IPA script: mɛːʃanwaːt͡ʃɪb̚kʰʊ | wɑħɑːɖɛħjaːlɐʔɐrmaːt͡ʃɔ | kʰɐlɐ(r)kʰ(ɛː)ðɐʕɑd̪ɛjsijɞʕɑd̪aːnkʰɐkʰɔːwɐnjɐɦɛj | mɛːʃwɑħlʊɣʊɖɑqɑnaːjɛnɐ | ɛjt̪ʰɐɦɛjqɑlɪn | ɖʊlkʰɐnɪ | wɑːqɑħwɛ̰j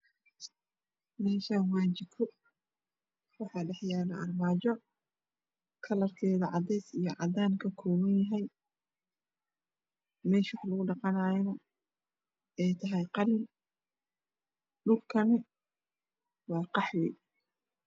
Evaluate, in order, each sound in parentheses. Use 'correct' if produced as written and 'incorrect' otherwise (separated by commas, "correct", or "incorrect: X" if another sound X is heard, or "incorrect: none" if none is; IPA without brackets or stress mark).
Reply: correct, correct